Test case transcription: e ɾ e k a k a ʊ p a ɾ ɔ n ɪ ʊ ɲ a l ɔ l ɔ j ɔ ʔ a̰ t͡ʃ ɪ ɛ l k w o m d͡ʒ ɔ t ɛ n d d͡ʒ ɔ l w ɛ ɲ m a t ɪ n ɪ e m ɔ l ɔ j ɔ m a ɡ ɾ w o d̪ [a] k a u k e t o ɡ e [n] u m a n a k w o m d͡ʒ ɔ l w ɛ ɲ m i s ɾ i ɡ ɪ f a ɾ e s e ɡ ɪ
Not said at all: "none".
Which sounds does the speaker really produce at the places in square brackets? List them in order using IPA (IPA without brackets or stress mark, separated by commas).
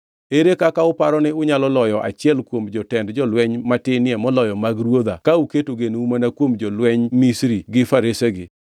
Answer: a, n